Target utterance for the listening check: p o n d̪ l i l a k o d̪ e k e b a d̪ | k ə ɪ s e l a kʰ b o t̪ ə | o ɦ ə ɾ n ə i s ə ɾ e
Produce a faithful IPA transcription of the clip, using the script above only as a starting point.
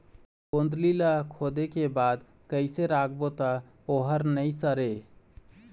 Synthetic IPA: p o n d̪ l i l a kʰ o d̪ e k e b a d̪ | k ə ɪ s e ɾ a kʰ b o t̪ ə | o ɦ ə ɾ n ə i s ə ɾ e